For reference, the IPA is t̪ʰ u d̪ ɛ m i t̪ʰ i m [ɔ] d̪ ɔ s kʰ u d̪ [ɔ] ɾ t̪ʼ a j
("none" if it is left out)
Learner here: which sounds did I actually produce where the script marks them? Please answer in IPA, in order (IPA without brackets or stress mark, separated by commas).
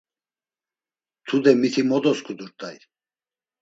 ɔ, u